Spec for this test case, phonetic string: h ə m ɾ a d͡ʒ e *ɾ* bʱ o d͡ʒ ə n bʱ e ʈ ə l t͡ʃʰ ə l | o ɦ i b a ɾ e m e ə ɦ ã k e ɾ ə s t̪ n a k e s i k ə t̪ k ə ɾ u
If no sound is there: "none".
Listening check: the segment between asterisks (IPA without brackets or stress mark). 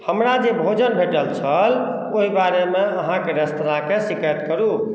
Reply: none